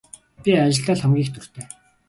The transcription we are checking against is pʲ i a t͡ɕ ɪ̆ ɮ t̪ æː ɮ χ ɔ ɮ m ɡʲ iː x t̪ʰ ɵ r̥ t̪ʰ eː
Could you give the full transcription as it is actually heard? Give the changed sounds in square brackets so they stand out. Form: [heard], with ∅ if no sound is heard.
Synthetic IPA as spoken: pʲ i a t͡ɕ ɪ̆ ɮ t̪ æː ɮ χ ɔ [∅] m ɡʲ iː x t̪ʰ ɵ r̥ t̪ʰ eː